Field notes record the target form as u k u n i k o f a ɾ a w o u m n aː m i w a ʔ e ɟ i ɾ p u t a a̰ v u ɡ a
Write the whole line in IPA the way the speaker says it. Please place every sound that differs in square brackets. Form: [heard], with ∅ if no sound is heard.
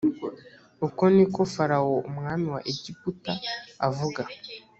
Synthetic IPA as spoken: u k [o] n i k o f a ɾ a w o u m [ŋ] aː m i w a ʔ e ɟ i [∅] p u t a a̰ v u ɡ a